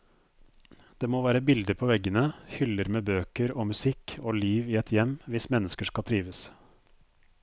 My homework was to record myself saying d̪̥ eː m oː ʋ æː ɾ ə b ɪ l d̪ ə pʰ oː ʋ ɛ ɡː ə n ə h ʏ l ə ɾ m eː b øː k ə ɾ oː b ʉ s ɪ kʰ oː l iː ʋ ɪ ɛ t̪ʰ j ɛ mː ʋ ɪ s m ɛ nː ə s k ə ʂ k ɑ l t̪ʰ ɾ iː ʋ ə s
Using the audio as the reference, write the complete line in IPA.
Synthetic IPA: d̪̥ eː m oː ʋ æː ɾ ə b ɪ l d̪ ə pʰ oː ʋ ɛ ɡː ə n ə h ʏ l ə ɾ m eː b øː k ə ɾ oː m ʉ s ɪ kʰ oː l iː ʋ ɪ ɛ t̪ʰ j ɛ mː ʋ ɪ s m ɛ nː ə s k ə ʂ k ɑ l t̪ʰ ɾ iː ʋ ə s